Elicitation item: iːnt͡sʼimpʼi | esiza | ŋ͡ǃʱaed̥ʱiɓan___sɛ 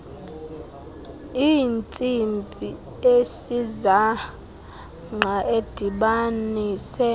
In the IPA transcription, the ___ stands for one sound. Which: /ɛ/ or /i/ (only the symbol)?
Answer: i